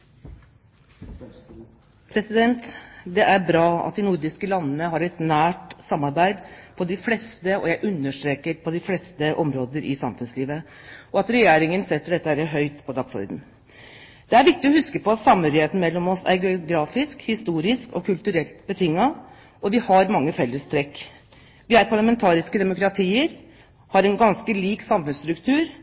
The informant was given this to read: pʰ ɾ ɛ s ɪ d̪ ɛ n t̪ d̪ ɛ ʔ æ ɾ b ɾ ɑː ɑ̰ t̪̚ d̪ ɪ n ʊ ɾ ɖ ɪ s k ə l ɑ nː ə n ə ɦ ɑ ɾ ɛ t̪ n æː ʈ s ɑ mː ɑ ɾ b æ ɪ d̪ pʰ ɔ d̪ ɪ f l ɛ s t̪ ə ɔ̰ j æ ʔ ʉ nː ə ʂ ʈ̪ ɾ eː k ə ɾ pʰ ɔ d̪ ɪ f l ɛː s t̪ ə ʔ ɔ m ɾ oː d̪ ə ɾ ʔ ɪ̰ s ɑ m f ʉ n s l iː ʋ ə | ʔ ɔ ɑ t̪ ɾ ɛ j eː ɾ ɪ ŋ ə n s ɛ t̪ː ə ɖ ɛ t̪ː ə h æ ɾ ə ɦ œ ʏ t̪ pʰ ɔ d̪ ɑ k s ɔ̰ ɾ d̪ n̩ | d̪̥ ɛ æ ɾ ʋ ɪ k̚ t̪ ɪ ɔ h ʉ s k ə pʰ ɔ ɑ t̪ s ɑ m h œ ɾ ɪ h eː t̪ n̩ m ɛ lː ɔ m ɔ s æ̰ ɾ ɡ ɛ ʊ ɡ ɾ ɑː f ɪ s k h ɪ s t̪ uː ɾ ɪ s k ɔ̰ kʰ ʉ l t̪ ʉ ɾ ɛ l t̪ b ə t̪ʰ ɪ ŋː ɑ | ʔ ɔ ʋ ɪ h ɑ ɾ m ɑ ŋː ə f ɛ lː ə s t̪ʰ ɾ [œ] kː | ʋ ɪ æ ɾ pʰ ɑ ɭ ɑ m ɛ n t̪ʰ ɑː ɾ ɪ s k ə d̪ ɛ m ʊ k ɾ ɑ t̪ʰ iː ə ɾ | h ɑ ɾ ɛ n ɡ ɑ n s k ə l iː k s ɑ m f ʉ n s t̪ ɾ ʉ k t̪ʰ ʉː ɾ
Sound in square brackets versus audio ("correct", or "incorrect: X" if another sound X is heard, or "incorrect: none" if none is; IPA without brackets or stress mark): incorrect: ɛ